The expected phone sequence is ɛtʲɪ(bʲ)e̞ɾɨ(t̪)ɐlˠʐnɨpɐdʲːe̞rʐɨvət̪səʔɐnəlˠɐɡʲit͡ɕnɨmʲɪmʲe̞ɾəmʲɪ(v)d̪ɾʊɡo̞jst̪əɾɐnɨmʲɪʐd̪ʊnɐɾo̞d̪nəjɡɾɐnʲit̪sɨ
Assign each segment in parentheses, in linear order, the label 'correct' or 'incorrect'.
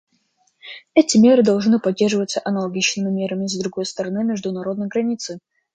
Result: incorrect, incorrect, incorrect

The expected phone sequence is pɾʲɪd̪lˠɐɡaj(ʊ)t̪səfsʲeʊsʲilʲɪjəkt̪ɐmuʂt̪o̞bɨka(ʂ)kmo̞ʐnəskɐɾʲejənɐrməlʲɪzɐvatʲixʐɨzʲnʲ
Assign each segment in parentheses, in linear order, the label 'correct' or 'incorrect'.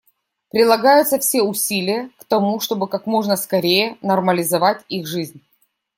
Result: correct, incorrect

